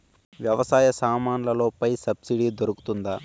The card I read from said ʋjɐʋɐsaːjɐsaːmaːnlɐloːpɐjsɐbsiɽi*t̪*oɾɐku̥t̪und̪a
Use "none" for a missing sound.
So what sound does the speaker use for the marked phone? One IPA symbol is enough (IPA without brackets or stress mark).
d̪